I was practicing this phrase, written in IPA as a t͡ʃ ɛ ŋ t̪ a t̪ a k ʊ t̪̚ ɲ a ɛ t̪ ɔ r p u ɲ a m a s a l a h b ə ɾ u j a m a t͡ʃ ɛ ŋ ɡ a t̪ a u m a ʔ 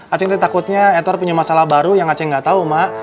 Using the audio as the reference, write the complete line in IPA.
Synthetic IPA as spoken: a t͡ʃ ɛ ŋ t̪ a t̪ a k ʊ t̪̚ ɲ a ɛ t̪ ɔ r p u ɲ a m a s a l a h b a ɾ u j a ŋ a t͡ʃ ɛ ŋ ɡ a t̪ a u m a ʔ